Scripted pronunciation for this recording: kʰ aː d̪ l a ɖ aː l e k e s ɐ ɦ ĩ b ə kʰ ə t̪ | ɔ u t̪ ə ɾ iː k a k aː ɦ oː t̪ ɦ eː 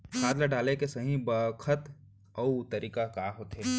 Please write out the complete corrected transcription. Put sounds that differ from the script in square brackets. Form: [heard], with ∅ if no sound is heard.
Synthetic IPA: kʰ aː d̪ l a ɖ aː l e k e s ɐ ɦ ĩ b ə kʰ ə t̪ | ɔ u t̪ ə ɾ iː k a k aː ɦ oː t̪ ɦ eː